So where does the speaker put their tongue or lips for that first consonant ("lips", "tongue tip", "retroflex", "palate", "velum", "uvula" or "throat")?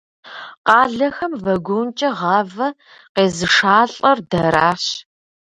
uvula